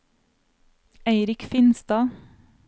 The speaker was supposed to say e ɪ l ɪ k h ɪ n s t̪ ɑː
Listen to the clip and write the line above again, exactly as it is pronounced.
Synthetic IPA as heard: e ɪ ɾ ɪ k f ɪ n s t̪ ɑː